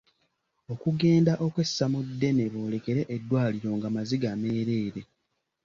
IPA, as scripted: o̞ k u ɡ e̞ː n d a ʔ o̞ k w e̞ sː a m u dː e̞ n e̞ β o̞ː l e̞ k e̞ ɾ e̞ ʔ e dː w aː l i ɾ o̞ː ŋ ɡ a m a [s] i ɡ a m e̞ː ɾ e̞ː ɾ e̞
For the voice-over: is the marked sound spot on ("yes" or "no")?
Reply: no